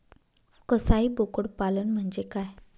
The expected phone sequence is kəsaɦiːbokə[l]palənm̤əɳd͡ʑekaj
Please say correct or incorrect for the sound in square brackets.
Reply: incorrect: ɽ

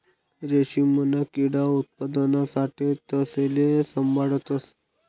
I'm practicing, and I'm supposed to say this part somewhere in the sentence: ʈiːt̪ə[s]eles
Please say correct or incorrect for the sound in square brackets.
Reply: correct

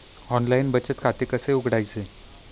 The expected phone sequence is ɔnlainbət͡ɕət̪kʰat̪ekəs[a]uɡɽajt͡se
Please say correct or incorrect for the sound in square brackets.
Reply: incorrect: e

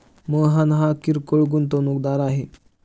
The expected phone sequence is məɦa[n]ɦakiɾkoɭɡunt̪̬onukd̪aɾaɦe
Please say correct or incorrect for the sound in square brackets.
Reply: correct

